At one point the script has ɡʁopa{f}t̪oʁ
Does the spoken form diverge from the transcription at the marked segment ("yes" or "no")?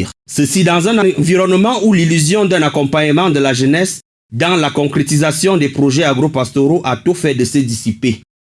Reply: yes